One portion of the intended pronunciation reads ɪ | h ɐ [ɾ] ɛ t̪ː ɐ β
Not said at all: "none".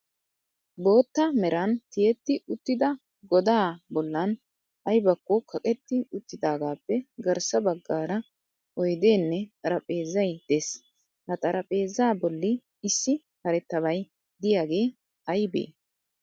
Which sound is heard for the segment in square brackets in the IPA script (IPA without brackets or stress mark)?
ɾ